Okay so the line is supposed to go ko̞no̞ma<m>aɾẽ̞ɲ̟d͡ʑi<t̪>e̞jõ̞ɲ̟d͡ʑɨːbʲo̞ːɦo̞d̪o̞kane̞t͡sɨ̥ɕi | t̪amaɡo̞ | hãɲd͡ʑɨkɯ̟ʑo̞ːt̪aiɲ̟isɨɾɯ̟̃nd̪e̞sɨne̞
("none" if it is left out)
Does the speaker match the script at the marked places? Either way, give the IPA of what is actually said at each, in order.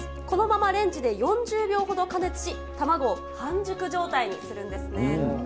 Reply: m, d̪

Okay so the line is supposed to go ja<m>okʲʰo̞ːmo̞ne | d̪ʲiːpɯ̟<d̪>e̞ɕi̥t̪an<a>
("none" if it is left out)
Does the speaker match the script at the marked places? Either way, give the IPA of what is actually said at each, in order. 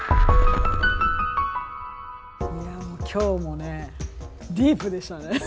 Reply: m, d̪, e

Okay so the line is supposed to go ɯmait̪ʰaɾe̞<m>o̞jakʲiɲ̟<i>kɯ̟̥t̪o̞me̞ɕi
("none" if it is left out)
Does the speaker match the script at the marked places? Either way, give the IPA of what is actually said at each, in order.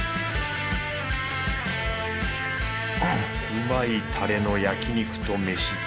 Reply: n, i

